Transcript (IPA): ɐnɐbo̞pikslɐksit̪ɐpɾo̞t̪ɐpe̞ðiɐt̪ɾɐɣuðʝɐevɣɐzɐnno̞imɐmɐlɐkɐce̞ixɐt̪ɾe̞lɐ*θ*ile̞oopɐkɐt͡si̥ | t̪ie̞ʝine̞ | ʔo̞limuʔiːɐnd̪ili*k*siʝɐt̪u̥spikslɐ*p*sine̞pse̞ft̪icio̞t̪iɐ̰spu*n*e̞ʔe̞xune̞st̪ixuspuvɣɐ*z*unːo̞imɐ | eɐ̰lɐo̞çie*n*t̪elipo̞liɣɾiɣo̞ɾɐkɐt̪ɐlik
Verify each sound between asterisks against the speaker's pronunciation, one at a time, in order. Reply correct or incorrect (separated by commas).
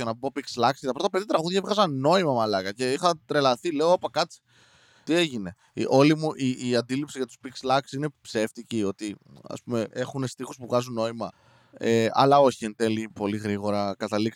correct, incorrect, incorrect, incorrect, correct, correct